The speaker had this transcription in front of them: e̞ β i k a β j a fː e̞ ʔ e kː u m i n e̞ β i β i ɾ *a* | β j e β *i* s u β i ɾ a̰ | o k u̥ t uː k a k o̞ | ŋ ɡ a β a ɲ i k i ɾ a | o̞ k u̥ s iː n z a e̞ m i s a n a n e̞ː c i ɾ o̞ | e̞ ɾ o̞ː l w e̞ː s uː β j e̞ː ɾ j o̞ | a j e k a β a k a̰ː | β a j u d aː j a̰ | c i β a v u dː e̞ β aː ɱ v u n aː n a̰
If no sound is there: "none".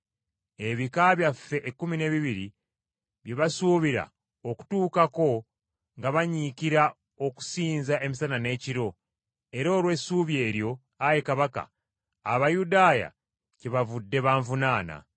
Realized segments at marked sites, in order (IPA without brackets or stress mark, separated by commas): i, a